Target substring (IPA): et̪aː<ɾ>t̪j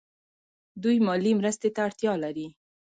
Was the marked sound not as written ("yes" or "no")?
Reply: yes